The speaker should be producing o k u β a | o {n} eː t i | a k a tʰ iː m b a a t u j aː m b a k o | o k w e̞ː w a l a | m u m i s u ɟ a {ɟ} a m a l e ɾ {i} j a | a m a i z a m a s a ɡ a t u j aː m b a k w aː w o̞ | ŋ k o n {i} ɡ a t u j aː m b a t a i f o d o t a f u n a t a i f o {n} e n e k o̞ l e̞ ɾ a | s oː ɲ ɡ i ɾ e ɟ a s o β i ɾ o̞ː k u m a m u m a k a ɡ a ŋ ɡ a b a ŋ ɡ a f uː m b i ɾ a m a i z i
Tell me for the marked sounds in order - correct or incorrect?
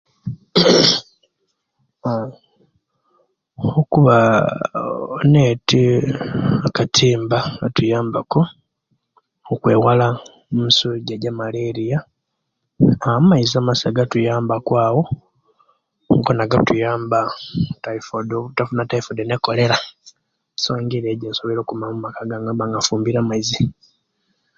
correct, correct, correct, incorrect, incorrect

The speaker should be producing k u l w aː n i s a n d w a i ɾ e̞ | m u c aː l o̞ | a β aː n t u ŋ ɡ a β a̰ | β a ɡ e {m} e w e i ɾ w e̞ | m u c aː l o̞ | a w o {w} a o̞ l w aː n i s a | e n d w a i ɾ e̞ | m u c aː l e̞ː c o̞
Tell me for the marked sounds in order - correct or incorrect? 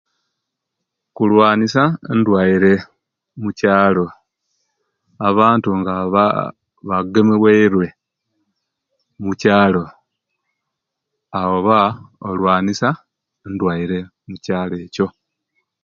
correct, incorrect

